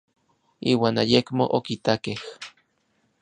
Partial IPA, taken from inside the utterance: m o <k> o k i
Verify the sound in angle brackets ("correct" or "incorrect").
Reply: incorrect